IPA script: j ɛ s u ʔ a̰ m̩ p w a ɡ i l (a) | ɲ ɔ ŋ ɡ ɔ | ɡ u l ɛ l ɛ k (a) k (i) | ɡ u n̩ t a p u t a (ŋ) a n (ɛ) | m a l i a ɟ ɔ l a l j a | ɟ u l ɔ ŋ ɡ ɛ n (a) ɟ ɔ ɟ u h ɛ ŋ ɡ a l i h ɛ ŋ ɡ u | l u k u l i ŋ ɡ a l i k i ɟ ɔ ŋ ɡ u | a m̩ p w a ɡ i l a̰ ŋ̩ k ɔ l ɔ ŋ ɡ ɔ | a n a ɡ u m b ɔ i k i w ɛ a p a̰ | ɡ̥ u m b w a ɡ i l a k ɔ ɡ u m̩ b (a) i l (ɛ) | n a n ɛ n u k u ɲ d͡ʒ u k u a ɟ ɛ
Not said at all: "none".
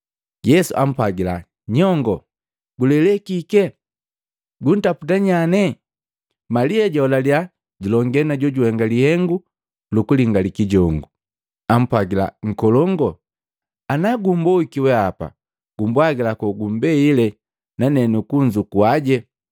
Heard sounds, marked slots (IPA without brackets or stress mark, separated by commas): a, i, ɛ, ɲ, ɛ, a, ɛ, ɛ